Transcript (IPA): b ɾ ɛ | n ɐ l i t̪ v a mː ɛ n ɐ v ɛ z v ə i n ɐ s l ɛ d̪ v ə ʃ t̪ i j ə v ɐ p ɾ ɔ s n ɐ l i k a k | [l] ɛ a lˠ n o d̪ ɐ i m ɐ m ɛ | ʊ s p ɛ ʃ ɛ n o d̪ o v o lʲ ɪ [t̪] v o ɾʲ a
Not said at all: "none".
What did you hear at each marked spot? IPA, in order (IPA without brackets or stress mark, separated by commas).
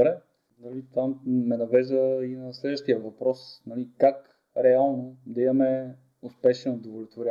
ɾ, t̪